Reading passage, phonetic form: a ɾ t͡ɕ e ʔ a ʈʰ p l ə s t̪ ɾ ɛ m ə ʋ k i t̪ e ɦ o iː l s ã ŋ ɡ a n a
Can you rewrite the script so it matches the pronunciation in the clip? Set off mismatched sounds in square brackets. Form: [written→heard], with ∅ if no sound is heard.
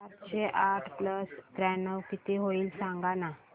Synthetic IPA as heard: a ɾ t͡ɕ e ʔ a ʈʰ p l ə s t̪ ɾ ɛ [m→n] ə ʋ k i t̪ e ɦ o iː l s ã ŋ ɡ a n a